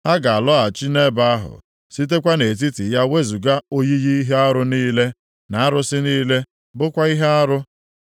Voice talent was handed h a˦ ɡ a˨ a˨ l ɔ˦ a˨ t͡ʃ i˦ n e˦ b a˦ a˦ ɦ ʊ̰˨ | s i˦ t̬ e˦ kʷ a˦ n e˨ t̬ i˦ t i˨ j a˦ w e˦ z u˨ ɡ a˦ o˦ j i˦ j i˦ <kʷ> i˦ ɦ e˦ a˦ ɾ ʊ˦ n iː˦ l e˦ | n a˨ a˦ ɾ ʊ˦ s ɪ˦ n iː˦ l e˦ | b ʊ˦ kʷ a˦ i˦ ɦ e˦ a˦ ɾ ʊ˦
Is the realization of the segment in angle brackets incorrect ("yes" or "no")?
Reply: yes